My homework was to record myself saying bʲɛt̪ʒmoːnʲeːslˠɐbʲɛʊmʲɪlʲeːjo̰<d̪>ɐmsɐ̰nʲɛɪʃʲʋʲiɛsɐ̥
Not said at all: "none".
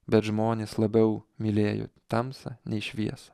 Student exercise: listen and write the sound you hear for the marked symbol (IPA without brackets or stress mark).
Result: t̪